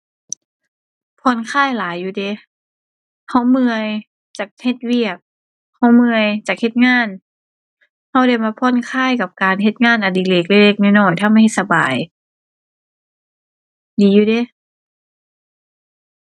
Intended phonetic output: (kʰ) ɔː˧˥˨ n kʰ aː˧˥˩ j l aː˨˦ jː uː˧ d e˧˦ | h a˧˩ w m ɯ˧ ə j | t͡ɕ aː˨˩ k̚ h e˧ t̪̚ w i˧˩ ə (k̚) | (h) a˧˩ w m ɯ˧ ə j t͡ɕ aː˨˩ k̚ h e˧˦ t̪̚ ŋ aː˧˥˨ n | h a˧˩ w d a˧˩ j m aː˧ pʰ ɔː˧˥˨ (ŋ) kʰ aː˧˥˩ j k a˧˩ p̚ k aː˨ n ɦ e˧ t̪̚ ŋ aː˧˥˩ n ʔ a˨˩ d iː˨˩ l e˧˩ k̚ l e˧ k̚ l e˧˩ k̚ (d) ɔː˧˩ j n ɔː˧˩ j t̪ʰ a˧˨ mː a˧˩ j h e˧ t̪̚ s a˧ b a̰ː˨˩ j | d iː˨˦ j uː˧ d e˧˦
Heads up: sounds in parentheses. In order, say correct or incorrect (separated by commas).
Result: incorrect, correct, correct, incorrect, incorrect